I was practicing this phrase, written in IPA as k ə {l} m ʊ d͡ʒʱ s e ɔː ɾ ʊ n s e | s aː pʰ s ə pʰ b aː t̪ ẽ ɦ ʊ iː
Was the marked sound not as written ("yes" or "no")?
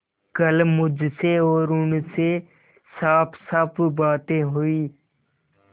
no